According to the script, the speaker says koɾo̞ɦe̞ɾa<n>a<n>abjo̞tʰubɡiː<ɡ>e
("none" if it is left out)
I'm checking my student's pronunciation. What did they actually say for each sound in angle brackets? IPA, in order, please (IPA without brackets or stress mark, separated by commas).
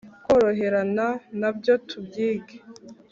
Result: n, n, ɡ